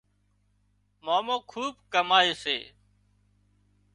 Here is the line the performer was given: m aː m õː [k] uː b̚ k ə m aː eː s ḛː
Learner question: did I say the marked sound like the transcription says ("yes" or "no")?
no